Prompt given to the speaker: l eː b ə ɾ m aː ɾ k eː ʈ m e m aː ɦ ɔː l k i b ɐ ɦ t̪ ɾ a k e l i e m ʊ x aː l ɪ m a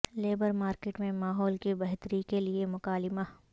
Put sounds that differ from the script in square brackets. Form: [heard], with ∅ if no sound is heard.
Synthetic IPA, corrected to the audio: l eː b ə ɾ m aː ɾ k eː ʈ m [ẽ] m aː ɦ ɔː l k i b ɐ ɦ t̪ ɾ [i] k e l i e m ʊ [k] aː l ɪ m a